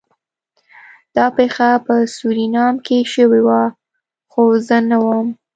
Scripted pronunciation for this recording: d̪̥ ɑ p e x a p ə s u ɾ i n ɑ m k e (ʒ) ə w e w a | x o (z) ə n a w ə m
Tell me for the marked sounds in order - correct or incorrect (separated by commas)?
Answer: incorrect, correct